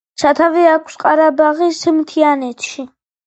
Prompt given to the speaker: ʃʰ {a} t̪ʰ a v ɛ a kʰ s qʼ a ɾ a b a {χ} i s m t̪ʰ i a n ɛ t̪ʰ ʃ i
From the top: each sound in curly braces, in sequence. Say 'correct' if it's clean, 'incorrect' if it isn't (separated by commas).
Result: correct, incorrect